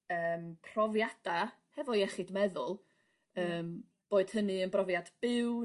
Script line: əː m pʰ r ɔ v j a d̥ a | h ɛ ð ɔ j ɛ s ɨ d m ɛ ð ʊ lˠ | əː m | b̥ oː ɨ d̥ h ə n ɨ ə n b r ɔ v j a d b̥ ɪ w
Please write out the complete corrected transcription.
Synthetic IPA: əː m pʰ r ɔ v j a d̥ a | h ɛ v ɔ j ɛ χ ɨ d m ɛ ð ʊ lˠ | əː m | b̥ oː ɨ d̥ h ə n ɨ ə n b r ɔ v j a d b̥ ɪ w